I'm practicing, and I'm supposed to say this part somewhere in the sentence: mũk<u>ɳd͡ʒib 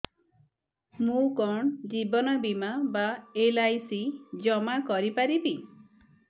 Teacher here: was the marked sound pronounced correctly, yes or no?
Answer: no